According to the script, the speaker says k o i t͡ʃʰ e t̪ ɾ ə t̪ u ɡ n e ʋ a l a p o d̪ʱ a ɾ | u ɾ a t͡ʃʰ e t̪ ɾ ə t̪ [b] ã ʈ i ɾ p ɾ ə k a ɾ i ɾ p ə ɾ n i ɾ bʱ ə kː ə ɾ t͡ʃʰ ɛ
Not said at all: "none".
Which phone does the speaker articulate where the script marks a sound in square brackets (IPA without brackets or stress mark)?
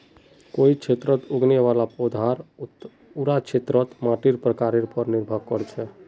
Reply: m